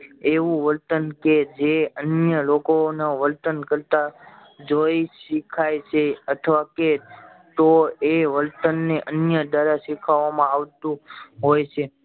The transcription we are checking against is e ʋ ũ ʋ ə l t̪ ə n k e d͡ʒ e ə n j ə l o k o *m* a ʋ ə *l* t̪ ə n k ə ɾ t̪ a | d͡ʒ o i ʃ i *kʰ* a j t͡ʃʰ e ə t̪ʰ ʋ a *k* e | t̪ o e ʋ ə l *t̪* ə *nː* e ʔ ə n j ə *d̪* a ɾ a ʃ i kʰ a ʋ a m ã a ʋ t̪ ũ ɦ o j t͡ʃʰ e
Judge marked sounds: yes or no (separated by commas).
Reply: no, yes, yes, yes, yes, yes, yes